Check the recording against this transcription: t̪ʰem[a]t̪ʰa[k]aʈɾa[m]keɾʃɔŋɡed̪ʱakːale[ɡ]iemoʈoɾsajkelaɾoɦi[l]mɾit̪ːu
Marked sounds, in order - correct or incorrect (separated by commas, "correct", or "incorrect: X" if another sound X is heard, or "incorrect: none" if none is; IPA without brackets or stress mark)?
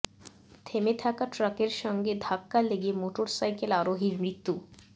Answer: incorrect: e, correct, incorrect: none, correct, incorrect: ɾ